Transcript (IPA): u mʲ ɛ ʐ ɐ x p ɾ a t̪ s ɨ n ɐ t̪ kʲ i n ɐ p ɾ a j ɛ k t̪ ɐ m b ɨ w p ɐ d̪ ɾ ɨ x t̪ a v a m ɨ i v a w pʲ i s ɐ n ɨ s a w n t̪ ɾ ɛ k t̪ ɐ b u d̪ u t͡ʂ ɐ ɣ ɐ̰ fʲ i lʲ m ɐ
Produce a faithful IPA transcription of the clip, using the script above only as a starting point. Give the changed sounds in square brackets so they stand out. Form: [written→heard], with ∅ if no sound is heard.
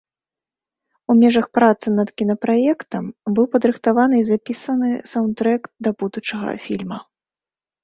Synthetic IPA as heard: u mʲ ɛ ʐ ɐ x p ɾ a t̪ s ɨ n ɐ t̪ kʲ i n ɐ p ɾ a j ɛ k t̪ ɐ m b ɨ w p ɐ d̪ ɾ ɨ x t̪ a v a [m→n] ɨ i [v→z] a [w→∅] pʲ i s ɐ n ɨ s a w n t̪ ɾ ɛ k [t̪→d̪] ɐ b u d̪ u t͡ʂ ɐ ɣ ɐ̰ fʲ i lʲ m ɐ